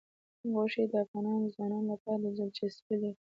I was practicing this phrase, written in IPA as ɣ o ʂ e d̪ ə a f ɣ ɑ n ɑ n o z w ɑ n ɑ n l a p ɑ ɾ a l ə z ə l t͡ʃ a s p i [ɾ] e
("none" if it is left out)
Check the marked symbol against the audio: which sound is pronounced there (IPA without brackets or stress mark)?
l